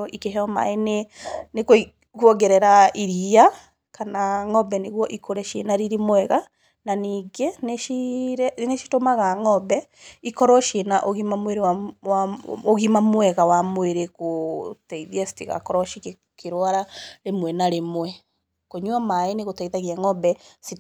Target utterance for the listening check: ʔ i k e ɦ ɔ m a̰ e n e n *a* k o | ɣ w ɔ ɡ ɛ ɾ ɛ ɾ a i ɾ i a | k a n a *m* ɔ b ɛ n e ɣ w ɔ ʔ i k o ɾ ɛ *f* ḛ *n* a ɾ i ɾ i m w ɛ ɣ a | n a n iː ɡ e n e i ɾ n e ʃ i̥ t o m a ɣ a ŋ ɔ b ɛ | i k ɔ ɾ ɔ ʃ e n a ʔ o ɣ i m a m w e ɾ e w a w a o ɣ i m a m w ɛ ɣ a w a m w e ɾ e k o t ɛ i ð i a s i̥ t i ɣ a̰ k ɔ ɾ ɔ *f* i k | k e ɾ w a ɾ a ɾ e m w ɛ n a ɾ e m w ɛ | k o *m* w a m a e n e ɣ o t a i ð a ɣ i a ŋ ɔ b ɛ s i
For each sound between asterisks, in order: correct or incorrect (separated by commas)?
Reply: incorrect, incorrect, incorrect, correct, incorrect, incorrect